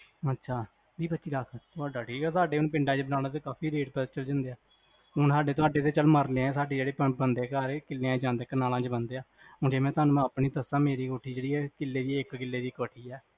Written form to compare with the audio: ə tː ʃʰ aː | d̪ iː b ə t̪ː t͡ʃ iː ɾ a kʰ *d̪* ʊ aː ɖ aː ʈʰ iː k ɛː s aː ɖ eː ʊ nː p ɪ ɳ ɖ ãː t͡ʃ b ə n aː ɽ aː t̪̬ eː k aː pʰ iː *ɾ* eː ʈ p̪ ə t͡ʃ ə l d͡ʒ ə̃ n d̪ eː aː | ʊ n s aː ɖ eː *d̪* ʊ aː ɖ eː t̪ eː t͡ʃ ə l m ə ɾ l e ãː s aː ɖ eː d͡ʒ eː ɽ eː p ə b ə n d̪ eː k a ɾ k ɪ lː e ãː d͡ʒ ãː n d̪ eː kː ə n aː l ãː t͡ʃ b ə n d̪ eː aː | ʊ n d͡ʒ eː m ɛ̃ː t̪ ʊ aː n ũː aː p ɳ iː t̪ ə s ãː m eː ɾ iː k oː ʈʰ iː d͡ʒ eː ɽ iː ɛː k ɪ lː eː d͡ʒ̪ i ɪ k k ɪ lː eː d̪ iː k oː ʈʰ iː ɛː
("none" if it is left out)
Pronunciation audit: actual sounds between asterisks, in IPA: t̪, ɾ, t̪

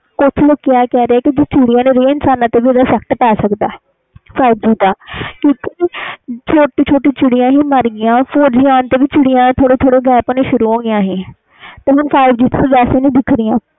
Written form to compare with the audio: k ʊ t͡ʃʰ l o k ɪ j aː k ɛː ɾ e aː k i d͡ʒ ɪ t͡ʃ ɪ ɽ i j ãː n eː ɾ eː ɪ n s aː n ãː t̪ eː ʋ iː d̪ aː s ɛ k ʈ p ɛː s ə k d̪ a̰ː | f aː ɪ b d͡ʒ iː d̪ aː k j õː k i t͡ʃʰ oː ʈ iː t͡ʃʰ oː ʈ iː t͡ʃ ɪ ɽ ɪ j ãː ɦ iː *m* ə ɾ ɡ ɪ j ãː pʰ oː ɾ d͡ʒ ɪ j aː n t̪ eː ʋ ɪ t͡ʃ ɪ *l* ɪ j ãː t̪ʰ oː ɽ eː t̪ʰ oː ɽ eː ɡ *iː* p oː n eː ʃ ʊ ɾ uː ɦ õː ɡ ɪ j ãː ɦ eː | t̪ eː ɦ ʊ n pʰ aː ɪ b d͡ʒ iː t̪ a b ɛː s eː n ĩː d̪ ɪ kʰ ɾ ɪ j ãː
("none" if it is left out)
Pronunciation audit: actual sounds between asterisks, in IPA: m, ɽ, ɛː

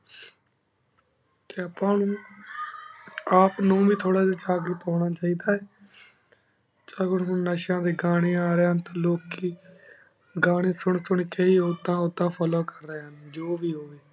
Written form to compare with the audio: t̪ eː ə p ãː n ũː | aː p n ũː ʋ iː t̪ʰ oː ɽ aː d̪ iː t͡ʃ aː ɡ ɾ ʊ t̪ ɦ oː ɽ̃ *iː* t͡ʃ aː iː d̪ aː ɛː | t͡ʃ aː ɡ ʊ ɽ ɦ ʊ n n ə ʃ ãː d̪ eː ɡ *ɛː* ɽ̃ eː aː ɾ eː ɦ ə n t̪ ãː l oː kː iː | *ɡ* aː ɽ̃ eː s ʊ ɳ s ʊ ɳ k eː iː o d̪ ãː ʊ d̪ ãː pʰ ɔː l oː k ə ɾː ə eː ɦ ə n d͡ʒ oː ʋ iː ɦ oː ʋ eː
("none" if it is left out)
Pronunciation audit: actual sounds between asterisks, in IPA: aː, aː, ɡ

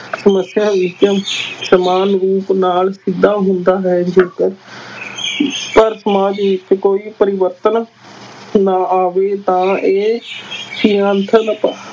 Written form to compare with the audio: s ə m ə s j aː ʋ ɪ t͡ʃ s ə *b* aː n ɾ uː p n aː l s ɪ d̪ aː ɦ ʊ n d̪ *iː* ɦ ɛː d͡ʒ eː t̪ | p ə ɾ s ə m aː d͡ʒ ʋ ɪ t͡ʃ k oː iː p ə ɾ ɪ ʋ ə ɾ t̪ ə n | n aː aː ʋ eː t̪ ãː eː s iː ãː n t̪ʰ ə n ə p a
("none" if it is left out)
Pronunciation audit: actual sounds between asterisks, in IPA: m, aː

